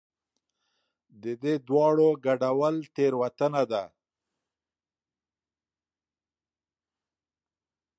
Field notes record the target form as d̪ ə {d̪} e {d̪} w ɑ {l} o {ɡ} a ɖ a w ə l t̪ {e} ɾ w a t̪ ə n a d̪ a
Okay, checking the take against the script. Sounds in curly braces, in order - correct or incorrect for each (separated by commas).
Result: correct, correct, incorrect, correct, correct